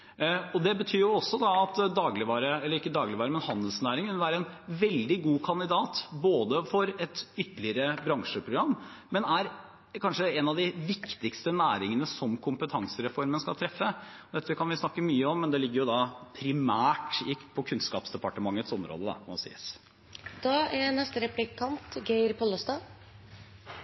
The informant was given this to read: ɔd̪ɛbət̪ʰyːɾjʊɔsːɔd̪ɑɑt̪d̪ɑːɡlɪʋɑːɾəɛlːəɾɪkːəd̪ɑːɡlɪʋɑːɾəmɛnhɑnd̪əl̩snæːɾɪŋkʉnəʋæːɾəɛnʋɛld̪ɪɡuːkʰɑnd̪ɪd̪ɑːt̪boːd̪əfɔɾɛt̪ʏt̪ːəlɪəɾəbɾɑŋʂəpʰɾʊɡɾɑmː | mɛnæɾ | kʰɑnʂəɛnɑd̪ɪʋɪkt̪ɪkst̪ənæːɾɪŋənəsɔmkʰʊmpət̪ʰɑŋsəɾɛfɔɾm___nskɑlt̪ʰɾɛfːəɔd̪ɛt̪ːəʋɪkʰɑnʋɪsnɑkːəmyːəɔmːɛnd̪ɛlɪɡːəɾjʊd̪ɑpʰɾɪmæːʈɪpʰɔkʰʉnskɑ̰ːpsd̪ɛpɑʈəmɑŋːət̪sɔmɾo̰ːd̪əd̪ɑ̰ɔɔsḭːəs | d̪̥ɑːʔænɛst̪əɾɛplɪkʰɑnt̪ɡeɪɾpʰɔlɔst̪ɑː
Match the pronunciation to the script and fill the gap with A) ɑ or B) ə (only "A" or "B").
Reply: B